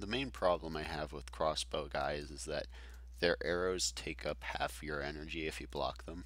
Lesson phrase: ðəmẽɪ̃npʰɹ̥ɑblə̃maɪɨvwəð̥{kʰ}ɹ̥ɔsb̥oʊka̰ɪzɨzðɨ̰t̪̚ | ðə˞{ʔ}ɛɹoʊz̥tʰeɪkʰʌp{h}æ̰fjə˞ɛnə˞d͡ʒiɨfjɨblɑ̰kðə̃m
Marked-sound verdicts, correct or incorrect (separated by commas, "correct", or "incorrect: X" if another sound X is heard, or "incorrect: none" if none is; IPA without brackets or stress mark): correct, correct, correct